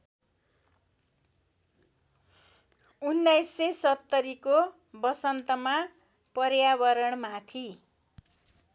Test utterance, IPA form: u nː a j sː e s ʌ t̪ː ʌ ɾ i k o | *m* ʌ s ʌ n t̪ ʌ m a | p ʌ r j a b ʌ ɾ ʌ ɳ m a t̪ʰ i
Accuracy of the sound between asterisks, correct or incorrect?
incorrect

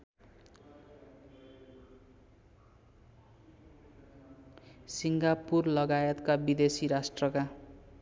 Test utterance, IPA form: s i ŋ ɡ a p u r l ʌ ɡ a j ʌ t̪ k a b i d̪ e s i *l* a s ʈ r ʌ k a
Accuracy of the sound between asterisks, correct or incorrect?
incorrect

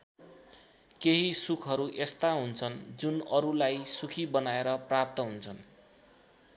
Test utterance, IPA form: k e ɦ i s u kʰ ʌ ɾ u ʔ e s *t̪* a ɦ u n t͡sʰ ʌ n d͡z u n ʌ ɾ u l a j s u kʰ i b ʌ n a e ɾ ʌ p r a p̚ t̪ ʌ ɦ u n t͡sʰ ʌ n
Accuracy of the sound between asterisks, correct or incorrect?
correct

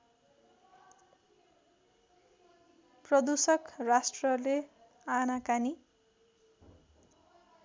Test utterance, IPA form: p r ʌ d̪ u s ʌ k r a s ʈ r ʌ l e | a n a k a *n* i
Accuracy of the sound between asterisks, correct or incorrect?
correct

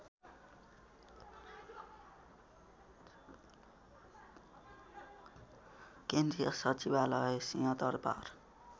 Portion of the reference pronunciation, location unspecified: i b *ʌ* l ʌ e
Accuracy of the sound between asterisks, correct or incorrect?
incorrect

